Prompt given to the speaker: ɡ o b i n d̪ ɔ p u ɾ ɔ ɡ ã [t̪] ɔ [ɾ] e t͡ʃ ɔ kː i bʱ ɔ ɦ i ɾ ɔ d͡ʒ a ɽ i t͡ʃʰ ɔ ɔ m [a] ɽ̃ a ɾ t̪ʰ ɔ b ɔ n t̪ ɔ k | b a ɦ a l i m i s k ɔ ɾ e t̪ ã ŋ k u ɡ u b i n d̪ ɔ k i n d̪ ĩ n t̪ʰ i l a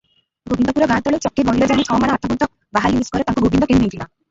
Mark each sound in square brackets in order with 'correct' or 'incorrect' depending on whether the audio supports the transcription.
correct, incorrect: ɭ, correct

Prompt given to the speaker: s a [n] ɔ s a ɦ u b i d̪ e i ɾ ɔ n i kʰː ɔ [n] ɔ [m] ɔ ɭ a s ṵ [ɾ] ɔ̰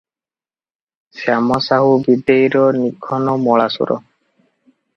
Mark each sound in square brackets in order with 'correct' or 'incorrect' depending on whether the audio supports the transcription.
incorrect: m, correct, correct, correct

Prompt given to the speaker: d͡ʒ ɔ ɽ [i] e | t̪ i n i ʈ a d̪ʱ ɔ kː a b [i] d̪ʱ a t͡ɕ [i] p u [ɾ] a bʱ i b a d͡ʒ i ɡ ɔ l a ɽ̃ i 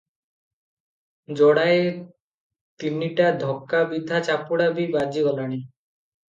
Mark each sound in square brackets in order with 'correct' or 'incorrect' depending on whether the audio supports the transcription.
incorrect: a, correct, incorrect: a, incorrect: ɽ

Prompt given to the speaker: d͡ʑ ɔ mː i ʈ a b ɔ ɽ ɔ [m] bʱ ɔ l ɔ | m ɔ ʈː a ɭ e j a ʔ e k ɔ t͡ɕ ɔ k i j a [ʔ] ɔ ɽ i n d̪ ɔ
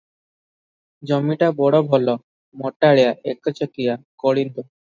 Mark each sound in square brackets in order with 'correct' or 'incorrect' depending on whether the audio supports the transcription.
incorrect: none, incorrect: k

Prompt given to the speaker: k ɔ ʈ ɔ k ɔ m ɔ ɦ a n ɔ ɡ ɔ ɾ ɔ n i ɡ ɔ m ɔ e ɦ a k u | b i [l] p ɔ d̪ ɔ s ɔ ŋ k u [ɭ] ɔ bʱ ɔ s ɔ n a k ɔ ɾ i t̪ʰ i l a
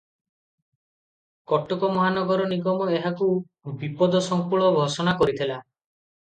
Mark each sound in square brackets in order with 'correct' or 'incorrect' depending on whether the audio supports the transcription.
incorrect: none, correct

